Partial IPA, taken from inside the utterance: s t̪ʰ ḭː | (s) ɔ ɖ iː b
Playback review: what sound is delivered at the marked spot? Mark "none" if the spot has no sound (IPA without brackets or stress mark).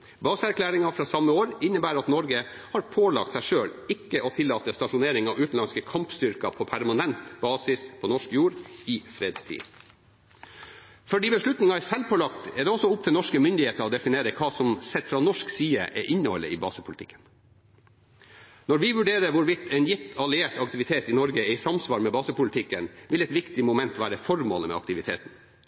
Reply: f